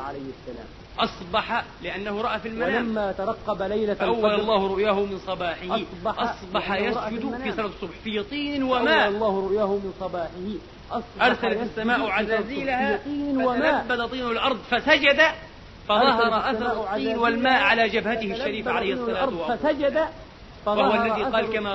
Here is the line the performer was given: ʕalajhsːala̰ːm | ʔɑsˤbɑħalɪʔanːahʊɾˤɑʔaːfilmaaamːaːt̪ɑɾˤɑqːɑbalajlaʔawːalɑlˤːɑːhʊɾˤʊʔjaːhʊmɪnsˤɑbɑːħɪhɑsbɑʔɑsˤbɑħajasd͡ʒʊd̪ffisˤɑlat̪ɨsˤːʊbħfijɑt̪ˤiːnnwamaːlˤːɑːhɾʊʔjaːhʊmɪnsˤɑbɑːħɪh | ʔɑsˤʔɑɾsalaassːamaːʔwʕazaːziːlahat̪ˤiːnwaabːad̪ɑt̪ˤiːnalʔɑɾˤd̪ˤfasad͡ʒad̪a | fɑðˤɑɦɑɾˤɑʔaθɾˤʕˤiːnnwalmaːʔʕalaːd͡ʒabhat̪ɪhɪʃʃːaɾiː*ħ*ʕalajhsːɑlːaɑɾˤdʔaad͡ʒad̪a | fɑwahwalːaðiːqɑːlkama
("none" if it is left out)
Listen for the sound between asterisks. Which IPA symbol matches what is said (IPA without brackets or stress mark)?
f